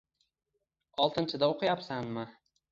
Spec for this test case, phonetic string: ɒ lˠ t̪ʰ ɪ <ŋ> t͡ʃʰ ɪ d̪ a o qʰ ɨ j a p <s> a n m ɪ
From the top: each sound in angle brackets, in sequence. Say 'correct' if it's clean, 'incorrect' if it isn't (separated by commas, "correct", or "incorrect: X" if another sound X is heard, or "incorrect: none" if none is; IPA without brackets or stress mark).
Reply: incorrect: n, correct